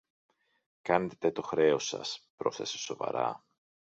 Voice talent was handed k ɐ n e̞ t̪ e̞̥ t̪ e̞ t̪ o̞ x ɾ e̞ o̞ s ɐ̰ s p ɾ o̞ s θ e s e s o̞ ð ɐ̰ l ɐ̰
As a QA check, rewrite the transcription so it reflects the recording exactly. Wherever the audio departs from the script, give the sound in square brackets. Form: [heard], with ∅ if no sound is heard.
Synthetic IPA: k ɐ n e̞ t̪ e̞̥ t̪ e̞ t̪ o̞ x ɾ e̞ o̞ s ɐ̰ s p ɾ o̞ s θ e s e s o̞ [v] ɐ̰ [ɾ] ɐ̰

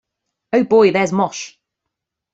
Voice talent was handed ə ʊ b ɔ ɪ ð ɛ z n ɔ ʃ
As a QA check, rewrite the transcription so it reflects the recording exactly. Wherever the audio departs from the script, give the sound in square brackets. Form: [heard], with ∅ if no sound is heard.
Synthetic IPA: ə ʊ b ɔ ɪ ð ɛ z [m] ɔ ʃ

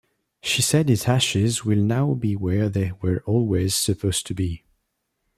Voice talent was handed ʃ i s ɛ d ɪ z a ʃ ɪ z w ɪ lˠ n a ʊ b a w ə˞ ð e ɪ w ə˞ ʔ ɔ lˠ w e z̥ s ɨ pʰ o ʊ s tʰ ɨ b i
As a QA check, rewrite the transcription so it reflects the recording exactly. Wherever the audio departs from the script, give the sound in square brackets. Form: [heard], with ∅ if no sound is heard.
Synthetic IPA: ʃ i s ɛ d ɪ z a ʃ ɪ z w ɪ lˠ n a ʊ b [i] w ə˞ ð e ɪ w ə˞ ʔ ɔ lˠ w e z̥ s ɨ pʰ o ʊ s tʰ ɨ b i

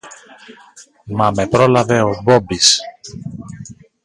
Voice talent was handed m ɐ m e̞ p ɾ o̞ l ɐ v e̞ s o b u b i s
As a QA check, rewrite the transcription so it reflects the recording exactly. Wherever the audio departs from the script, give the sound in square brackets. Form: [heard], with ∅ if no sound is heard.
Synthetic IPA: m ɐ m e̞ p ɾ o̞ l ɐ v e̞ [∅] o b [o] b i s

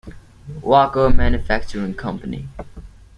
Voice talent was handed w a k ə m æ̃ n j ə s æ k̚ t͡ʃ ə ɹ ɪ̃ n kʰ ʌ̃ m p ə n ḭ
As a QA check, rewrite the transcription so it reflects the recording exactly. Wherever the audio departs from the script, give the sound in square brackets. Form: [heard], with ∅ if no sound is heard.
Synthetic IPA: w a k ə m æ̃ n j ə [f] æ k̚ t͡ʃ ə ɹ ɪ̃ [ŋ] kʰ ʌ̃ m p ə n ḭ

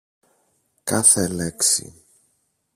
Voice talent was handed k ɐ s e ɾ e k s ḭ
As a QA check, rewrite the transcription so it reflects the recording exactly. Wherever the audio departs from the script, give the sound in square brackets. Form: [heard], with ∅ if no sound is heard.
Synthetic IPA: k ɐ [θ] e [l] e k s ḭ

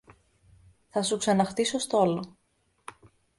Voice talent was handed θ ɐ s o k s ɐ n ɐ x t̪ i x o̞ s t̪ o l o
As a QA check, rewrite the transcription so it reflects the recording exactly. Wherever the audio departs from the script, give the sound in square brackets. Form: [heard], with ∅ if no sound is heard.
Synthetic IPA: θ ɐ s [u] k s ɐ n ɐ x t̪ i [s] o̞ s t̪ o l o

